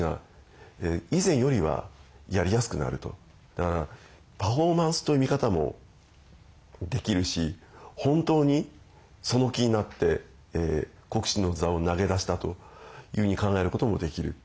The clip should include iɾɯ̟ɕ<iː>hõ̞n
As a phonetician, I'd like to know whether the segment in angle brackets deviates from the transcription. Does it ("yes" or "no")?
yes